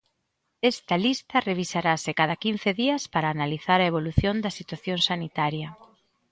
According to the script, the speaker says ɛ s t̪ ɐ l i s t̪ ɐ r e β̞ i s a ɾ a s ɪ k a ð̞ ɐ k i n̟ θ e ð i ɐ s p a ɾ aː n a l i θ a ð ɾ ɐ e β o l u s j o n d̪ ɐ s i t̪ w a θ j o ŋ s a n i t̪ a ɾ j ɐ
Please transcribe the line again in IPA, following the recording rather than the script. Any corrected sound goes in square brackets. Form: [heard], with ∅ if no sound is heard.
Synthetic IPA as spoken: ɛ s t̪ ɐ l i s t̪ ɐ r e β̞ i s a ɾ a s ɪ k a ð̞ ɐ k i n̟ θ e ð i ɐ s p a ɾ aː n a l i θ a [∅] ɾ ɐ e β o l u [θ] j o n d̪ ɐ s i t̪ w a θ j o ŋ s a n i t̪ a ɾ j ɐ